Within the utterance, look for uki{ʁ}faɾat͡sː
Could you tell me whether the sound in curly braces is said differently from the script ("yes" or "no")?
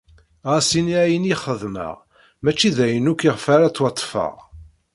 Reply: no